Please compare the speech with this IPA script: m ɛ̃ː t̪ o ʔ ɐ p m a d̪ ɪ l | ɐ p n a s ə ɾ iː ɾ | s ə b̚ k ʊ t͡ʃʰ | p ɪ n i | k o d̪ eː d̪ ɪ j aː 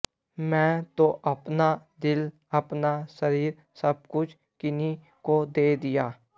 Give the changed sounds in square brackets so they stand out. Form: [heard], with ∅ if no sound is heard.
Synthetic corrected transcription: m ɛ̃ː t̪ o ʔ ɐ p [n] a d̪ ɪ l | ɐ p n a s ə ɾ iː ɾ | s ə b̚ k ʊ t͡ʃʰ | [k] ɪ n i | k o d̪ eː d̪ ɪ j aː

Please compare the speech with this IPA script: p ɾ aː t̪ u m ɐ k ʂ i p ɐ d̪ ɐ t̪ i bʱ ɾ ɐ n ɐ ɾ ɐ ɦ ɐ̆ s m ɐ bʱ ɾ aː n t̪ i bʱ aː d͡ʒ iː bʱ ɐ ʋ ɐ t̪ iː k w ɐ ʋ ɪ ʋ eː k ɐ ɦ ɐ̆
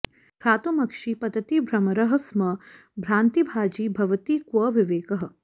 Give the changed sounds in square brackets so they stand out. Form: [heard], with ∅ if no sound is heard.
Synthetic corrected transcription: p ɾ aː t̪ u m ɐ k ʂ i p ɐ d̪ ɐ t̪ i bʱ ɾ ɐ [m] ɐ ɾ ɐ ɦ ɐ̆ s m ɐ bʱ ɾ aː n t̪ i bʱ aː d͡ʒ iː bʱ ɐ ʋ ɐ t̪ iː k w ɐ ʋ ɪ ʋ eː k ɐ ɦ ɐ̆

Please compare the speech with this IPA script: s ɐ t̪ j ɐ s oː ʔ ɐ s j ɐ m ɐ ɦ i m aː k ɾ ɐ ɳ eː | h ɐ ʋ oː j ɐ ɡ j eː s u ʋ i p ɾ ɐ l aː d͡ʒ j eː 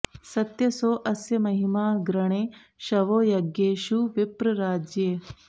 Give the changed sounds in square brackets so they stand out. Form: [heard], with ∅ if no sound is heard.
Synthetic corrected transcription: s ɐ t̪ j ɐ s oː ʔ ɐ s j ɐ m ɐ ɦ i m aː [ɡ] ɾ ɐ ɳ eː | [ʃ] ɐ ʋ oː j ɐ ɡ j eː [ʃ] u ʋ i p ɾ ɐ [ɾ] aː d͡ʒ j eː

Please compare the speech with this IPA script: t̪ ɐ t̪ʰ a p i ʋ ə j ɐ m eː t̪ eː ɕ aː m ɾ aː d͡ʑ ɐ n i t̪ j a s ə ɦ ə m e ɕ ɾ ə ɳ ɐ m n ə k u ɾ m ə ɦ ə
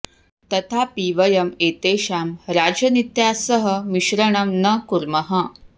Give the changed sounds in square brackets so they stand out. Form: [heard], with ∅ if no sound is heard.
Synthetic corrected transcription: t̪ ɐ t̪ʰ a p i ʋ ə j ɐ m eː t̪ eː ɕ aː m ɾ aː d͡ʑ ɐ n i t̪ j a s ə ɦ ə m [i] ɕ ɾ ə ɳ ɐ m n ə k u ɾ m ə ɦ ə

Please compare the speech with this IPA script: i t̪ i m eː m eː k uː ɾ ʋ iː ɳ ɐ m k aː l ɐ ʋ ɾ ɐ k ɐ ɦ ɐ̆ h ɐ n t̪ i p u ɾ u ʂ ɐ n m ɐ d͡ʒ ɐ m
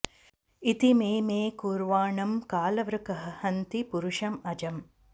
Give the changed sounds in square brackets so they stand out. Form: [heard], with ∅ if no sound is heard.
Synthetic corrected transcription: i t̪ i m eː m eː k uː ɾ ʋ [aː] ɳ ɐ m k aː l ɐ ʋ ɾ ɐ k ɐ ɦ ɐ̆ h ɐ n t̪ i p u ɾ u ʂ ɐ [∅] m ɐ d͡ʒ ɐ m

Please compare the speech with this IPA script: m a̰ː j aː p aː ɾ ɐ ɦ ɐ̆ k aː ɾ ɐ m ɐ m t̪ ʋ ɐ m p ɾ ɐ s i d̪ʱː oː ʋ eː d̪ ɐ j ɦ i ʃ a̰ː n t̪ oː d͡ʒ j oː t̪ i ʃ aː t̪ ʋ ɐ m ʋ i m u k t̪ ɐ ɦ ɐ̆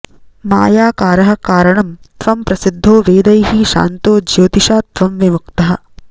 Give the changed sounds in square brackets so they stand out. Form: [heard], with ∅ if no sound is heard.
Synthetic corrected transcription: m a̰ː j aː [k] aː ɾ ɐ ɦ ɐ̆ k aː ɾ ɐ [ɳ] ɐ m t̪ ʋ ɐ m p ɾ ɐ s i d̪ʱː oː ʋ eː d̪ ɐ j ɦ i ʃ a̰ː n t̪ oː d͡ʒ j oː t̪ i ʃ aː t̪ ʋ ɐ m ʋ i m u k t̪ ɐ ɦ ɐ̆

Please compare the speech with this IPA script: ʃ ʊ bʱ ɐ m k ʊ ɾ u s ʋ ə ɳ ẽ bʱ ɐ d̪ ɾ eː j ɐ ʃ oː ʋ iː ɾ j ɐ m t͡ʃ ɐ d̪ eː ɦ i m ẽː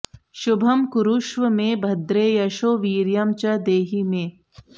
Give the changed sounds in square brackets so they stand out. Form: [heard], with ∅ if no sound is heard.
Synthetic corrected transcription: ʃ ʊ bʱ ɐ m k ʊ ɾ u [ʃ] ʋ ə [m] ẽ bʱ ɐ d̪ ɾ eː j ɐ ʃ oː ʋ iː ɾ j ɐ m t͡ʃ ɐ d̪ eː ɦ i m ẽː

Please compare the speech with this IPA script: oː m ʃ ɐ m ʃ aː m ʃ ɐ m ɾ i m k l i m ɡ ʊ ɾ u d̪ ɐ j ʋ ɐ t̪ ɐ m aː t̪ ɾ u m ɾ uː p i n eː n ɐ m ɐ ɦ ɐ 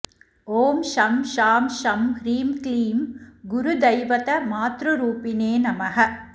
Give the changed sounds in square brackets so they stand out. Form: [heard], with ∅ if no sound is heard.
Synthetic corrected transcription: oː m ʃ ɐ m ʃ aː m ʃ ɐ m ɾ [iː] m k l [iː] m ɡ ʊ ɾ u d̪ ɐ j ʋ ɐ t̪ ɐ m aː t̪ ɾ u [∅] ɾ uː p i n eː n ɐ m ɐ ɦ ɐ

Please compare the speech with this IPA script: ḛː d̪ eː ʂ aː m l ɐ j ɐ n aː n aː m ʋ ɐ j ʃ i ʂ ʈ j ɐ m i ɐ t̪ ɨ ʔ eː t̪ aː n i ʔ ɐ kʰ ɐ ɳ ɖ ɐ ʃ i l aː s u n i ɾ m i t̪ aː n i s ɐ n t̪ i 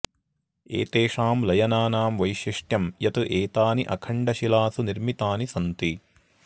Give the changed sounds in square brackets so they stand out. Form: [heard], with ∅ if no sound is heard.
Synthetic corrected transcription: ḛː [t̪] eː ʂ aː m l ɐ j ɐ n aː n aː m ʋ ɐ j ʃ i ʂ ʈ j ɐ m [j] ɐ t̪ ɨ ʔ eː t̪ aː n i ʔ ɐ kʰ ɐ ɳ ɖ ɐ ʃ i l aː s u n i ɾ m i t̪ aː n i s ɐ n t̪ i

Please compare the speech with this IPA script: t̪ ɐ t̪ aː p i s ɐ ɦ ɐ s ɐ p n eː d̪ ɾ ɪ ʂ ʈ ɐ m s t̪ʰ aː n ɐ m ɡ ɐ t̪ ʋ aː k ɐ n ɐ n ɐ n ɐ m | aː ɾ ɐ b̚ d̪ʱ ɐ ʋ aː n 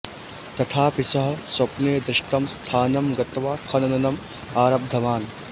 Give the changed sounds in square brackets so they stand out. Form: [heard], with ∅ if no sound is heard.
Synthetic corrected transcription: t̪ ɐ [t̪ʰ] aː p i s ɐ ɦ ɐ s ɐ p n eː d̪ ɾ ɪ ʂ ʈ ɐ m s t̪ʰ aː n ɐ m ɡ ɐ t̪ ʋ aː [kʰ] ɐ n ɐ n ɐ n ɐ m | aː ɾ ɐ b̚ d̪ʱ ɐ ʋ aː n

